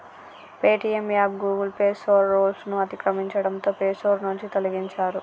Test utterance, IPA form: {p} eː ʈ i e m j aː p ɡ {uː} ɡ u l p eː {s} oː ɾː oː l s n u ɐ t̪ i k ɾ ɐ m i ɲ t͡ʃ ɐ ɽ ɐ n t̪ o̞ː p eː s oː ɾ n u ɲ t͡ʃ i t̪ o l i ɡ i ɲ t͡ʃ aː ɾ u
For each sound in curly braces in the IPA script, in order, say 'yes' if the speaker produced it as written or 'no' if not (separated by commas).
yes, yes, yes